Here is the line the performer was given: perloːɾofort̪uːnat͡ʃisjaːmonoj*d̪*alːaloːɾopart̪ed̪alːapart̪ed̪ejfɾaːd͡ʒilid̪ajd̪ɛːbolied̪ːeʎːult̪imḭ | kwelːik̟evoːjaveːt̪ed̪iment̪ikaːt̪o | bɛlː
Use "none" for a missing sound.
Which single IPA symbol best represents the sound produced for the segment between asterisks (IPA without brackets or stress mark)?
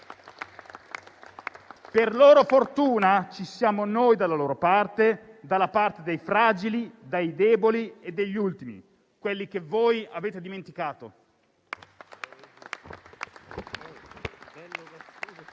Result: d̪